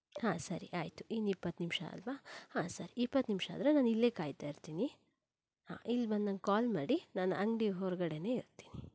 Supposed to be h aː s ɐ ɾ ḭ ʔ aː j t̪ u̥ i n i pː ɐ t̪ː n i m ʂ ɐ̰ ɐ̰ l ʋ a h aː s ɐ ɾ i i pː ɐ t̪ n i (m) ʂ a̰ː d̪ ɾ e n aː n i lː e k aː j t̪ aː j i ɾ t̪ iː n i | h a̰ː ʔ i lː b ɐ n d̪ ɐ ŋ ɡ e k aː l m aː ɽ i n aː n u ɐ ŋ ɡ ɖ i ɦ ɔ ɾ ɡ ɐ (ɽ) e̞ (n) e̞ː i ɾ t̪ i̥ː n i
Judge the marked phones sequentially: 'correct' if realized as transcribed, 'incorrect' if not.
correct, correct, correct

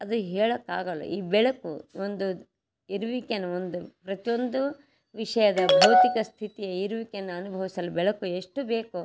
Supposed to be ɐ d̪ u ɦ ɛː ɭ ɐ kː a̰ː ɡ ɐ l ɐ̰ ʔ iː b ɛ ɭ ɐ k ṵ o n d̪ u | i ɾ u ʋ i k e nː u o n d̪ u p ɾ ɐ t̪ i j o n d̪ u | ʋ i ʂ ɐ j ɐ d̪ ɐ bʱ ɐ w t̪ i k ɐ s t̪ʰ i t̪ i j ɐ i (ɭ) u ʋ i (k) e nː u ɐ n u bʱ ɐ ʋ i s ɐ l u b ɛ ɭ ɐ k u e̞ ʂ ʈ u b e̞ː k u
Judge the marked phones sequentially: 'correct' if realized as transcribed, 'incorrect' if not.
incorrect: ɾ, correct

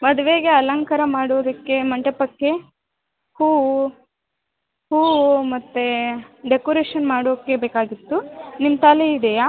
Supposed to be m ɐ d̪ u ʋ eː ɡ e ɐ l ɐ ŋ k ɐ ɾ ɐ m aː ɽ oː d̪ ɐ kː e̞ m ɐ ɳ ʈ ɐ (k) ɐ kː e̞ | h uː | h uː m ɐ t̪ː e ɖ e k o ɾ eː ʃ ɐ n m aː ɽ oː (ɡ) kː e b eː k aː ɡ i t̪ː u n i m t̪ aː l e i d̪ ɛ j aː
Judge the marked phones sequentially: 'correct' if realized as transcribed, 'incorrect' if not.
incorrect: p, incorrect: none

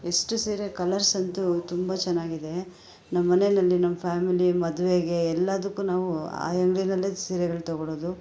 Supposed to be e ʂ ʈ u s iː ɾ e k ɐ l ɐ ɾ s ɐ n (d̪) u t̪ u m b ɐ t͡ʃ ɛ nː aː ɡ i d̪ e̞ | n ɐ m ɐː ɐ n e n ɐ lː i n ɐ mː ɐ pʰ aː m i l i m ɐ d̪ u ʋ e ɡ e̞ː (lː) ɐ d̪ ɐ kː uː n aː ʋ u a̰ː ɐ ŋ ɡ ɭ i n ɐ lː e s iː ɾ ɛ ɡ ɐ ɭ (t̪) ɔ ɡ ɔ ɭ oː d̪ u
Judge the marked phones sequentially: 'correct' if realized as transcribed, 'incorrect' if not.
incorrect: t̪, correct, correct

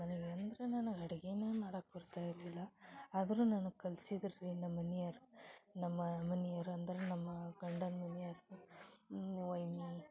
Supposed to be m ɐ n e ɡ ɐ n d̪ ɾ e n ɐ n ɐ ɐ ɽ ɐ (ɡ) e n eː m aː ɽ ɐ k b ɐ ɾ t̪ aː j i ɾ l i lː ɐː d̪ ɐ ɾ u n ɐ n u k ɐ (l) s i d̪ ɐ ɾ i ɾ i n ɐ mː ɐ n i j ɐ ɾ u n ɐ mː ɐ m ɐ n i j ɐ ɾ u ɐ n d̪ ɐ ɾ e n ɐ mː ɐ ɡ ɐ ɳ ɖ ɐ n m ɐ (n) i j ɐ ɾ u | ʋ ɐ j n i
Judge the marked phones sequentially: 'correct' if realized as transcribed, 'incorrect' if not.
correct, correct, correct

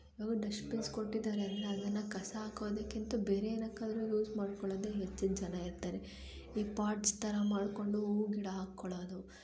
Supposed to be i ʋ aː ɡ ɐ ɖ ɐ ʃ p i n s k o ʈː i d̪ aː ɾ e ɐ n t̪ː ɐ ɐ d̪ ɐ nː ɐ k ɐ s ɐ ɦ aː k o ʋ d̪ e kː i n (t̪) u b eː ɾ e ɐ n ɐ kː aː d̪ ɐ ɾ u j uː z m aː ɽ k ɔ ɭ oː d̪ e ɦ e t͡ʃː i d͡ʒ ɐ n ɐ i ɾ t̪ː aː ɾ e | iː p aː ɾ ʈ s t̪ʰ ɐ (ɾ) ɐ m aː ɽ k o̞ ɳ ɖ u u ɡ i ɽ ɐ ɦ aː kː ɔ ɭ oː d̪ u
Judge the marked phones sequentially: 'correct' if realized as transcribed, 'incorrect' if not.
correct, correct

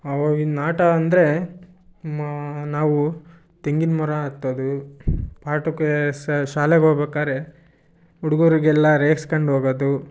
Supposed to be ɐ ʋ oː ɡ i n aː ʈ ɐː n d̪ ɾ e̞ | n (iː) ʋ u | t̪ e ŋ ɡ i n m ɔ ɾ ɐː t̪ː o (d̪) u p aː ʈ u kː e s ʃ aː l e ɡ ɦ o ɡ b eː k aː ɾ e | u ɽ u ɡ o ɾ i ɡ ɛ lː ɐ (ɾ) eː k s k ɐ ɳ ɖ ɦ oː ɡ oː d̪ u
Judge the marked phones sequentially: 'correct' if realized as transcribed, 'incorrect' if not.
incorrect: aː, correct, correct

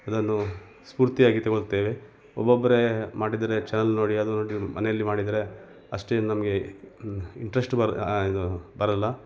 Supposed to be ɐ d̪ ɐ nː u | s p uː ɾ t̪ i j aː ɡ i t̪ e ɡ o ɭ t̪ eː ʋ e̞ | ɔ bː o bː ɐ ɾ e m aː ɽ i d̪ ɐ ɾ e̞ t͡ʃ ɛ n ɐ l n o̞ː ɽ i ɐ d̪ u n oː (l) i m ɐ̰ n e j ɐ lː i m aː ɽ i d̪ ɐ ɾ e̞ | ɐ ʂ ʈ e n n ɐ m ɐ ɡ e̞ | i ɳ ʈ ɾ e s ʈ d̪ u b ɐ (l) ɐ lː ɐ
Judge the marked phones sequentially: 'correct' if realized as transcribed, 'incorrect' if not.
incorrect: ɽ, incorrect: ɾ

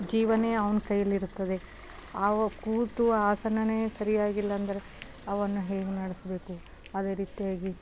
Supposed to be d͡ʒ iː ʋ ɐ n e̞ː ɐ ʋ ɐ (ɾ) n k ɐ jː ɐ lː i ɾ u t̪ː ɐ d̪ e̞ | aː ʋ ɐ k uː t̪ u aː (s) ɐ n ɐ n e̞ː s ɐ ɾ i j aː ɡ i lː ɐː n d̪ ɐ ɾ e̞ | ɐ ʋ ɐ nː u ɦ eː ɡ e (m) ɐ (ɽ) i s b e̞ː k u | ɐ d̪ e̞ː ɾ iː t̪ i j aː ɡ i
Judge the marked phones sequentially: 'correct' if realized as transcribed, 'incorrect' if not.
incorrect: none, correct, incorrect: n, correct

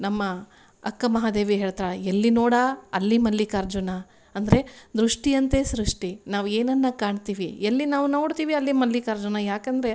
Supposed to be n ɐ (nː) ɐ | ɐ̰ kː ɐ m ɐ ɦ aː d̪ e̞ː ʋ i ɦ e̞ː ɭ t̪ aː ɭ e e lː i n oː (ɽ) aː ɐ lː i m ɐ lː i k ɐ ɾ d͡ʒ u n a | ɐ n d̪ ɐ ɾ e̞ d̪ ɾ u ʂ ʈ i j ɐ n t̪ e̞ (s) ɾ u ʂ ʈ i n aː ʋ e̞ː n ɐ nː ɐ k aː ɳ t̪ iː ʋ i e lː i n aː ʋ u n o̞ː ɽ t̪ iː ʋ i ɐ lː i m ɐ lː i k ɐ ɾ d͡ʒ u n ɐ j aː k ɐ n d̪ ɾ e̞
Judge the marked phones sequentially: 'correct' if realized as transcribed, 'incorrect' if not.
incorrect: mː, correct, correct

